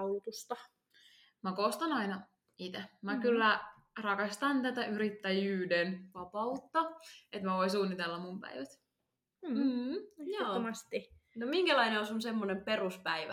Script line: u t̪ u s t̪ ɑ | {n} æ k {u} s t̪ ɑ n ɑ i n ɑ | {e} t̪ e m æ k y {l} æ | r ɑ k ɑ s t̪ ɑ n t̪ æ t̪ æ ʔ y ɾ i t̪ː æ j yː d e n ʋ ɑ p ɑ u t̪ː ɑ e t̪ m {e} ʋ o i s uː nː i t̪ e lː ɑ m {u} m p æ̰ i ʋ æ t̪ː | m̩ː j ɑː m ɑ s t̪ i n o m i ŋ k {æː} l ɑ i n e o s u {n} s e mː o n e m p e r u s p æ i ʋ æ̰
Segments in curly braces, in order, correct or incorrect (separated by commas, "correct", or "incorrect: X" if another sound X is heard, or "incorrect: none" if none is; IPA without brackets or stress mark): incorrect: m, incorrect: o, incorrect: i, incorrect: lː, incorrect: æ, correct, incorrect: æ, correct